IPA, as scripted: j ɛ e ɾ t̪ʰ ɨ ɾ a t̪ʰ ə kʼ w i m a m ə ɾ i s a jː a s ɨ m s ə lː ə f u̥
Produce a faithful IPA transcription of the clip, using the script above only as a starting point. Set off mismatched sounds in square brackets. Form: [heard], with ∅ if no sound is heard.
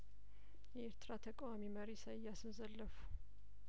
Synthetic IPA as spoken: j ɛ e ɾ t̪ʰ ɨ ɾ a t̪ʰ ə kʼ w [a] m [i] m ə ɾ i s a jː a s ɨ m [z] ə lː ə f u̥

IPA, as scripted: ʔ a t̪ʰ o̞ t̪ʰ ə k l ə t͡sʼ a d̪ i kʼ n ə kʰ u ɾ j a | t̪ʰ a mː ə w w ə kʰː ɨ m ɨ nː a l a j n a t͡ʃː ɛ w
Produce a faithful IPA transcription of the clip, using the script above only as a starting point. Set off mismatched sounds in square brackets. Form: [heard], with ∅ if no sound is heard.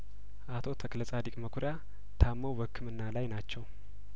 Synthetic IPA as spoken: ʔ a t̪ʰ o̞ t̪ʰ ə k l ə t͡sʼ a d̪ i kʼ [m] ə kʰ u ɾ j a | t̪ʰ a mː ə w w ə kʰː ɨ m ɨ nː a l a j n a t͡ʃː ɛ w

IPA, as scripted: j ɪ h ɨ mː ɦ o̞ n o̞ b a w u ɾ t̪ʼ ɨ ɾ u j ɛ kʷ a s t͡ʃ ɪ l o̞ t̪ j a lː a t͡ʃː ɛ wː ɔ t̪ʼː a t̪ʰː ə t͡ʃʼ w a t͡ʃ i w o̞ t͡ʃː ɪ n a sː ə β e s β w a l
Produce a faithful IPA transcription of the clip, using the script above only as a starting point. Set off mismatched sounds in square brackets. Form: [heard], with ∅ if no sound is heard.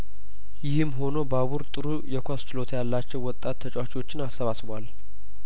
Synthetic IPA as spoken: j ɪ h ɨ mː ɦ o̞ n o̞ b a [β] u ɾ t̪ʼ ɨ ɾ u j ɛ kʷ a s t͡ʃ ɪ l o̞ t̪ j a lː a t͡ʃː ɛ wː ɔ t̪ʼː a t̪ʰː ə t͡ʃʼ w a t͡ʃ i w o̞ t͡ʃː ɪ n a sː ə β [a] s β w a l

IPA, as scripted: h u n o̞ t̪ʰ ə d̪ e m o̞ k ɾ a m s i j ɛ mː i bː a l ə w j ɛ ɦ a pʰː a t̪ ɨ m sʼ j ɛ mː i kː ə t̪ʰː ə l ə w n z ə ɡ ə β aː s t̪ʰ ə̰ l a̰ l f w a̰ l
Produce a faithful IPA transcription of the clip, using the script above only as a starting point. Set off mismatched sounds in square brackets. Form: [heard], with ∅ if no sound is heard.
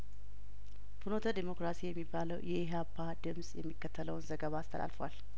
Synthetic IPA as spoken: [f] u n o̞ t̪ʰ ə d̪ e m o̞ k ɾ a [∅] s i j ɛ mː i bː a l ə w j ɛ ɦ a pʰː a [d̪] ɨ m sʼ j ɛ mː i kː ə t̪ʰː ə l ə w n z ə ɡ ə β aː s t̪ʰ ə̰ l a̰ l f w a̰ l

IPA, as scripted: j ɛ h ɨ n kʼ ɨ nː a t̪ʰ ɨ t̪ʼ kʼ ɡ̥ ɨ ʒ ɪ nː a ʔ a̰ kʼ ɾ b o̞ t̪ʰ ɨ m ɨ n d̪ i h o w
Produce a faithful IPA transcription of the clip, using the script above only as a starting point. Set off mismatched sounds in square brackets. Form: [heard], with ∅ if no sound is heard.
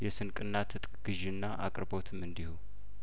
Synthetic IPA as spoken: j ɛ [s] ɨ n kʼ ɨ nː a t̪ʰ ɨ t̪ʼ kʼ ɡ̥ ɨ ʒ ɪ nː a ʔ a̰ kʼ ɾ b o̞ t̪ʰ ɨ m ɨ n d̪ i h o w

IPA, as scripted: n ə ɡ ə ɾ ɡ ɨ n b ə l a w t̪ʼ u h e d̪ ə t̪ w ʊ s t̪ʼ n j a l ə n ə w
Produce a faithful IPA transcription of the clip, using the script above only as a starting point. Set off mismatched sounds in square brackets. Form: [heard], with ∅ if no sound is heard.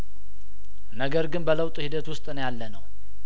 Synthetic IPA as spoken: n ə ɡ ə ɾ ɡ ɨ n b ə l [ə] w t̪ʼ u h [i] d̪ ə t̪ w ʊ s t̪ʼ n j a [lː] ə n ə w

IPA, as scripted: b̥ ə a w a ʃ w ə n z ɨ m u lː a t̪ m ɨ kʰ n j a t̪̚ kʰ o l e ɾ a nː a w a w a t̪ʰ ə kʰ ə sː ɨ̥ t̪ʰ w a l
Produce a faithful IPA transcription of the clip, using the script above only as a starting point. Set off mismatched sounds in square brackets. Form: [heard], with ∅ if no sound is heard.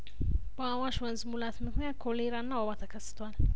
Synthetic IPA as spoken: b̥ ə a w a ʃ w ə n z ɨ m u [l] a t̪ m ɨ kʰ n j a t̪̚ kʰ o l e ɾ a nː a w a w a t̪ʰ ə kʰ ə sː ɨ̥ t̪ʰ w a l

